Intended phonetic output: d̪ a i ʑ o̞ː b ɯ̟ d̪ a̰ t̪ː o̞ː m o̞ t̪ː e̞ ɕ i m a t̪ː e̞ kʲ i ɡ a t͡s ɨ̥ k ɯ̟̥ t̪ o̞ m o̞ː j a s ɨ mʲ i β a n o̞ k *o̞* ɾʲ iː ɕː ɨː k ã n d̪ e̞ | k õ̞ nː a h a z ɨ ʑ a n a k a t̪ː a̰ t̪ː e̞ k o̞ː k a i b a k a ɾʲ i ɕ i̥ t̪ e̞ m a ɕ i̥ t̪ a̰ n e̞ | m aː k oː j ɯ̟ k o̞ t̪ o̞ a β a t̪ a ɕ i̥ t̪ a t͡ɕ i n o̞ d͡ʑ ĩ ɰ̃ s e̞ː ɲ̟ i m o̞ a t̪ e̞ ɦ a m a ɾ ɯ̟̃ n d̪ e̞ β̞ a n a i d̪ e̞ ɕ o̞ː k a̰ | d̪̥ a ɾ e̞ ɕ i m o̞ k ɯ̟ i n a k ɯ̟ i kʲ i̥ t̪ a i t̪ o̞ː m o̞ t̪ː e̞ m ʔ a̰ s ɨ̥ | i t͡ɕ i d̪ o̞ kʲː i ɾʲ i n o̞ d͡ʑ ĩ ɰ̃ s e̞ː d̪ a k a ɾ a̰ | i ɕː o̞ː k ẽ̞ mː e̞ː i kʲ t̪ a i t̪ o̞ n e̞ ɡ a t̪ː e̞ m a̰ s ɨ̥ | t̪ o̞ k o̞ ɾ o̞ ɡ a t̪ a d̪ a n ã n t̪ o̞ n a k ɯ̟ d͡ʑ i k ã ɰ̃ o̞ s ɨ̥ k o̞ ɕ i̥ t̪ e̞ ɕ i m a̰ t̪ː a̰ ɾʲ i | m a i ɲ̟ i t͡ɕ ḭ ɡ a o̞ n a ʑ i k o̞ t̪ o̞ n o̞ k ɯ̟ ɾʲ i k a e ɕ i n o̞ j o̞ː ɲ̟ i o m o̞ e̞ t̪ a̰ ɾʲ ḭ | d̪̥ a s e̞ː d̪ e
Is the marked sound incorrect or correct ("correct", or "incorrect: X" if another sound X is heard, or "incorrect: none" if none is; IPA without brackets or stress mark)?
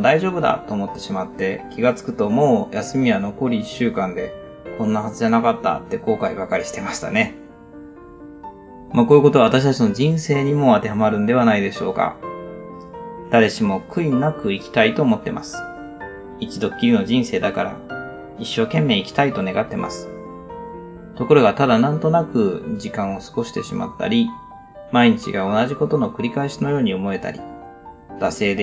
correct